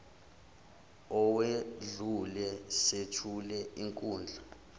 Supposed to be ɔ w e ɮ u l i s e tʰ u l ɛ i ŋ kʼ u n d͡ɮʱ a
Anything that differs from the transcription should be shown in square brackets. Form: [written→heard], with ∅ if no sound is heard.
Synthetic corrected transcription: ɔ w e ɮ u l [i→ɛ] s e tʰ u l ɛ i ŋ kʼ [u→uː] n d͡ɮʱ a